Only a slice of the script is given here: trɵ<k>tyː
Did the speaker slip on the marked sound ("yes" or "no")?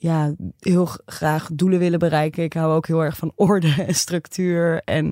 no